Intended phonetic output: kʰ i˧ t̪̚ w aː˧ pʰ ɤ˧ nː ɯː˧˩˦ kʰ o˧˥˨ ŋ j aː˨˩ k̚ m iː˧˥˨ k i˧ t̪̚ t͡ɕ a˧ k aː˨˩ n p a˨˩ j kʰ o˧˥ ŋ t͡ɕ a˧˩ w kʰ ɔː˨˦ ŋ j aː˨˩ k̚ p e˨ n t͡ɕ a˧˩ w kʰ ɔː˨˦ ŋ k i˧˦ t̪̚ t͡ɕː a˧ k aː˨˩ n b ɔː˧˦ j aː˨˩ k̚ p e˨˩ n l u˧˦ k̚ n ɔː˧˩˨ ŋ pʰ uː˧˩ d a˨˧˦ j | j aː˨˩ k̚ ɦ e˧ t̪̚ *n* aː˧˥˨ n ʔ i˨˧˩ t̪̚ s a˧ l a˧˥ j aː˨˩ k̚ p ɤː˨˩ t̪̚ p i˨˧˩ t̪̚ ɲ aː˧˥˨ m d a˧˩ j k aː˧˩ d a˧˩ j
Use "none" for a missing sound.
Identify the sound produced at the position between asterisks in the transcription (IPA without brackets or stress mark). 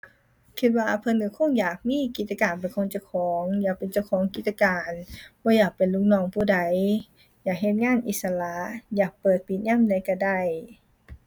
ŋ